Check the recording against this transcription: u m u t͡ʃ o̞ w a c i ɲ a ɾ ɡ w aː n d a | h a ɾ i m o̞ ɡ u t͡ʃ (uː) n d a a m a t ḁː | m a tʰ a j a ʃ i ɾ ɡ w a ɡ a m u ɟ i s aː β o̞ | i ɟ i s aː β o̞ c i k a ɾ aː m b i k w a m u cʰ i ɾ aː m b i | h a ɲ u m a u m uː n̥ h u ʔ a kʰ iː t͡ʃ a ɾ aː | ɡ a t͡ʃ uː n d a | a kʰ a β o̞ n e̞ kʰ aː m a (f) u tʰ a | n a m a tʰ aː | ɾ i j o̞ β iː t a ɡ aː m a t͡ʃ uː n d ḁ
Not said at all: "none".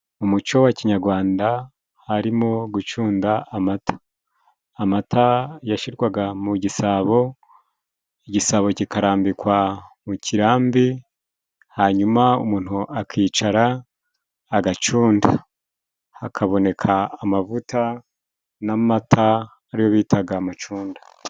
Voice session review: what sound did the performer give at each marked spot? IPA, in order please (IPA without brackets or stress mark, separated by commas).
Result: uː, v